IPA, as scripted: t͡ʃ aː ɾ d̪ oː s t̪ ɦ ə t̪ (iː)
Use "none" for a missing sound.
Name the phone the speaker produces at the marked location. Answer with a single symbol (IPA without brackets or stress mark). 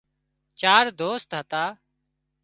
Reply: aː